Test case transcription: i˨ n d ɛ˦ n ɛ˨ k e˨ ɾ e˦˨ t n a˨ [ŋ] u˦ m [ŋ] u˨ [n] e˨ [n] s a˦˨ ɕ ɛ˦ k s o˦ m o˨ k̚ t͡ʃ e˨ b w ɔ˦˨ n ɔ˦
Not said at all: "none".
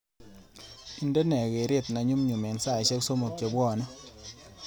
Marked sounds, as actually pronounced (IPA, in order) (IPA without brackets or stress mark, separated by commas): ɲ, ɲ, m, n